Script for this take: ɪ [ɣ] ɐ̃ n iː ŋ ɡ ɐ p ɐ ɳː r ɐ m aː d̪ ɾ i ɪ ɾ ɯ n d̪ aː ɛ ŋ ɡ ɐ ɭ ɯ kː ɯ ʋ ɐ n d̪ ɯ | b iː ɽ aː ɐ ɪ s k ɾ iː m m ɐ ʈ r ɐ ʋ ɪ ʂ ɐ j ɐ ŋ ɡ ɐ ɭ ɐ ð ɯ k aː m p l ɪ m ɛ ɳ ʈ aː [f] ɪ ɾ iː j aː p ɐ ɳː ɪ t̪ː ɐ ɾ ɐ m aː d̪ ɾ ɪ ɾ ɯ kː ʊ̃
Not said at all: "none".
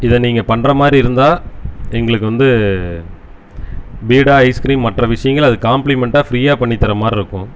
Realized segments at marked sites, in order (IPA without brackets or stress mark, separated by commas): ð, f